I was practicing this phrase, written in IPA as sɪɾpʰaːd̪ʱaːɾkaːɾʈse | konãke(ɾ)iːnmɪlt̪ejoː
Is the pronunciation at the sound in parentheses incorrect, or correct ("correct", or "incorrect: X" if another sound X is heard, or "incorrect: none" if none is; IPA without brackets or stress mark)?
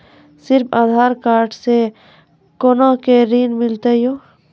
correct